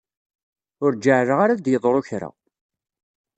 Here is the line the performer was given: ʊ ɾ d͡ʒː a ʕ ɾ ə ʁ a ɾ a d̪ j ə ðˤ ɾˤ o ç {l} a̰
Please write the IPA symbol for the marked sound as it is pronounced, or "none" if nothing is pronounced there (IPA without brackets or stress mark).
ɾ